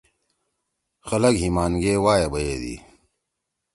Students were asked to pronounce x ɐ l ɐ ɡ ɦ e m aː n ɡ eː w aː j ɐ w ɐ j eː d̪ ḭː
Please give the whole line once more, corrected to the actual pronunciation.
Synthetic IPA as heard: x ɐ l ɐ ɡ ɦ i m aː n ɡ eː w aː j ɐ b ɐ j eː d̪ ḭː